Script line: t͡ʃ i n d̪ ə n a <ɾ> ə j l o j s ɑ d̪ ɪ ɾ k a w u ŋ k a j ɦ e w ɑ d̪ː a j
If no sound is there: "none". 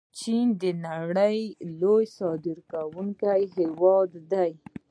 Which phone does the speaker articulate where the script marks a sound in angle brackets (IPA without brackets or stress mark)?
ɽ